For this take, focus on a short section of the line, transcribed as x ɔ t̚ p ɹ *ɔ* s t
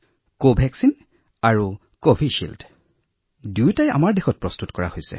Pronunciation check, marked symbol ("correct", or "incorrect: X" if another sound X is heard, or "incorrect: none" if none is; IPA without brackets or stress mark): correct